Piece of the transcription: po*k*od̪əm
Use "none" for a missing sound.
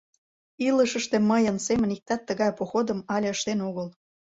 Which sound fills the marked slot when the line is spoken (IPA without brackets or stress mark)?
x